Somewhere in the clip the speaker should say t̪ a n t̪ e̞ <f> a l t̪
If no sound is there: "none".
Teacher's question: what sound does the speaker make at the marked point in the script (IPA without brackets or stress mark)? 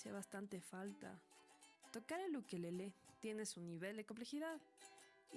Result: f